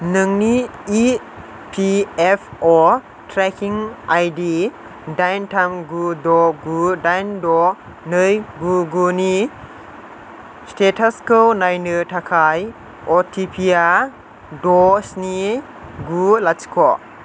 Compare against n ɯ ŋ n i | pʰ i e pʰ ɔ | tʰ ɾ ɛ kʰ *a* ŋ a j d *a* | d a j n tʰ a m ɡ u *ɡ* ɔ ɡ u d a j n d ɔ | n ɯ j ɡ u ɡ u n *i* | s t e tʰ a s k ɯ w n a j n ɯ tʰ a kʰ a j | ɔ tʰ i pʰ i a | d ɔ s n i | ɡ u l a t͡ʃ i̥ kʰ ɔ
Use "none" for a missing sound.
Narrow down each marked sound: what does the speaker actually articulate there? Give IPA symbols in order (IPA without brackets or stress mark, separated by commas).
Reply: i, i, d, i